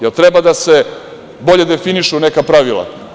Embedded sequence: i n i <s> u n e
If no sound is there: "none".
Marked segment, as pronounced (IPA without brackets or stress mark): ʃ